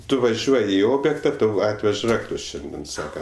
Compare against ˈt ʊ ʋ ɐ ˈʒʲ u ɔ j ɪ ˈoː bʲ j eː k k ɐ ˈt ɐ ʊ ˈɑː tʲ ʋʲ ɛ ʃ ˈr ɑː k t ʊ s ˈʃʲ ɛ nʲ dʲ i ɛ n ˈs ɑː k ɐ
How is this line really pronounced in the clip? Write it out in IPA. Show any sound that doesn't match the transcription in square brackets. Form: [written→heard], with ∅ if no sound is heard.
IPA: ˈt ʊ ʋ ɐ ˈʒʲ u ɔ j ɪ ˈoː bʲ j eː k [k→t] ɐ ˈt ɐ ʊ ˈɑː tʲ ʋʲ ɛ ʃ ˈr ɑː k t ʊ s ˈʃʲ ɛ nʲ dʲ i ɛ n ˈs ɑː k ɐ